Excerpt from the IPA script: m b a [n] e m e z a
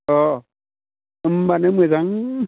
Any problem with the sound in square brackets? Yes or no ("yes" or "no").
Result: no